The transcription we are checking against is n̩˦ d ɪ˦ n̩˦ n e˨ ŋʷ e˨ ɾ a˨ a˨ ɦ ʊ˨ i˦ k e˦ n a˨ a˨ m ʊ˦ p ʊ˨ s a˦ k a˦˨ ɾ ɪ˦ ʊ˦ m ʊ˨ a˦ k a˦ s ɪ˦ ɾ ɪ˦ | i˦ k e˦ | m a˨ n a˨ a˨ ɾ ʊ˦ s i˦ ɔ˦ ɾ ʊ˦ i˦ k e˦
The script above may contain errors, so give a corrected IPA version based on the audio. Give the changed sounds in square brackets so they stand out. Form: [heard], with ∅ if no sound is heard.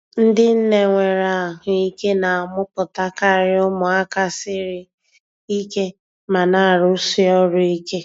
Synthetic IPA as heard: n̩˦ d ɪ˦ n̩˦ n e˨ ŋʷ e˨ ɾ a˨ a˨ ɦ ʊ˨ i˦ k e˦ n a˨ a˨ m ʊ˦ p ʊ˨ [t] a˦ k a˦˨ ɾ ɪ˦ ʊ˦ m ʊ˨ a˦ k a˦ s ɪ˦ ɾ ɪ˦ | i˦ k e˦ | m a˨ n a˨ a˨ ɾ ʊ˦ s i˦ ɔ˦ ɾ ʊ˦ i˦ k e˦